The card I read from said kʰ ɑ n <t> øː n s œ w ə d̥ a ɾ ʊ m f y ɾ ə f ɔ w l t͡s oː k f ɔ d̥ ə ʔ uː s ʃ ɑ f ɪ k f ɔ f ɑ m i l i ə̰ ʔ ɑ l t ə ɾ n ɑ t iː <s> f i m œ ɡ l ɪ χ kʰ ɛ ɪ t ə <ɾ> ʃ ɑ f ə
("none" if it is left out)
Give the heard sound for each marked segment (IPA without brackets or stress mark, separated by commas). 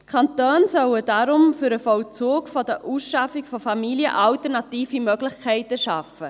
t, none, none